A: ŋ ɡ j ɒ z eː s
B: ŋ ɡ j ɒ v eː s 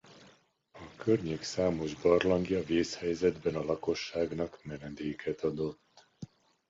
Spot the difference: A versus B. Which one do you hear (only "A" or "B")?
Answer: B